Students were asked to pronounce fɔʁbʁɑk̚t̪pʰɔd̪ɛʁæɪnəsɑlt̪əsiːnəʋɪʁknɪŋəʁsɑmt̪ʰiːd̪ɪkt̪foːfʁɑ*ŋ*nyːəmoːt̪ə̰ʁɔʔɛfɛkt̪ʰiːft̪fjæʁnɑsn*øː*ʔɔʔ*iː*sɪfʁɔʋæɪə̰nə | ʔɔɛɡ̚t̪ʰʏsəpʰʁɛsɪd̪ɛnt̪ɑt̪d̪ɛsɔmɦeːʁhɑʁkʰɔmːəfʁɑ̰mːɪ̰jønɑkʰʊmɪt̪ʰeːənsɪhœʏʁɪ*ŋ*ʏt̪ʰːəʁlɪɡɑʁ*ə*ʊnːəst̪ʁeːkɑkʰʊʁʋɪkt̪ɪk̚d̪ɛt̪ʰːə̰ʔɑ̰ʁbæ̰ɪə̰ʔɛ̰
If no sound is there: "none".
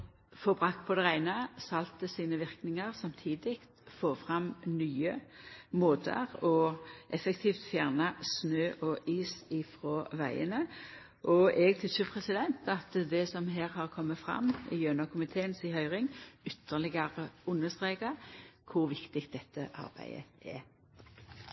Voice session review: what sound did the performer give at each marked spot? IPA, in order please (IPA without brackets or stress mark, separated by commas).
m, øː, iː, ŋ, ə